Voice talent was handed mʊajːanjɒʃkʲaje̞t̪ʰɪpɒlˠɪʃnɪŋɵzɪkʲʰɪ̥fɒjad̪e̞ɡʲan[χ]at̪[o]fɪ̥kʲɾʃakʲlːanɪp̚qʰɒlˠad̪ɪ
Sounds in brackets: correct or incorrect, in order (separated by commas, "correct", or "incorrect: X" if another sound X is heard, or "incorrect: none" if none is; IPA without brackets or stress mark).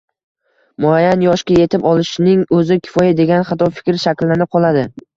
correct, incorrect: ɒ